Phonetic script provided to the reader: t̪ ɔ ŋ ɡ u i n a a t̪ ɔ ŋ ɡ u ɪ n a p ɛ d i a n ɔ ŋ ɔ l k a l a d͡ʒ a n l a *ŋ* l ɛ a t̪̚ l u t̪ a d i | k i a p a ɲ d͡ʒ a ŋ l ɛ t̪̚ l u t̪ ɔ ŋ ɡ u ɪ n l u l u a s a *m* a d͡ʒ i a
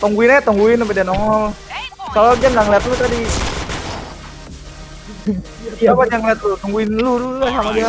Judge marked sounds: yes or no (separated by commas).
yes, yes